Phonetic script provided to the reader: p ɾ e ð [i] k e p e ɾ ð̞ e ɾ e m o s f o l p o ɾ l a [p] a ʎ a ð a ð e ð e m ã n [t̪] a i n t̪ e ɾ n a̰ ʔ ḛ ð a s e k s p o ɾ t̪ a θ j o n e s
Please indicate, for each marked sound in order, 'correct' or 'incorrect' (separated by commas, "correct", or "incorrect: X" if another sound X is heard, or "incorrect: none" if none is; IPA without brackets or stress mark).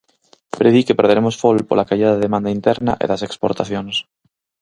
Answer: correct, incorrect: k, incorrect: d̪